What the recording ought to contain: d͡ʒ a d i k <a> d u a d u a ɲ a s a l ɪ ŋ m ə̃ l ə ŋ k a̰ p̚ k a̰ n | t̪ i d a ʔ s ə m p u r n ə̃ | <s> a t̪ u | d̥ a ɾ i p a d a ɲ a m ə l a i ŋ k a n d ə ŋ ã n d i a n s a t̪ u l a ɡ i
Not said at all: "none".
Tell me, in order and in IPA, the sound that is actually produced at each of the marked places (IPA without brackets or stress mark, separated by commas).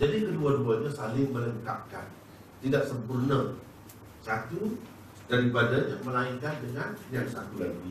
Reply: ə, s